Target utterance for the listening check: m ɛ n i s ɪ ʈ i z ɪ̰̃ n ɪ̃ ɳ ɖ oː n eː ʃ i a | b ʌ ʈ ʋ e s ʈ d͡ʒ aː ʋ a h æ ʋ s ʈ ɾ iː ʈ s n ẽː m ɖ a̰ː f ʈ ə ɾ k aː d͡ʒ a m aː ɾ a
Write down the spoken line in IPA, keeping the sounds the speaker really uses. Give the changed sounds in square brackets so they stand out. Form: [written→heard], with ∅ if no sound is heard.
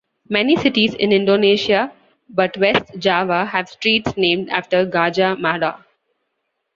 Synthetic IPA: m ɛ n i s ɪ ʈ i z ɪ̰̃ n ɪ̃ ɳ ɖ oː n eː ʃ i a | b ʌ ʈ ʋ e s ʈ d͡ʒ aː ʋ a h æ ʋ s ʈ ɾ iː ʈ s n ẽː m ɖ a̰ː f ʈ ə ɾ [k→ɡ] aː d͡ʒ a m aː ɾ a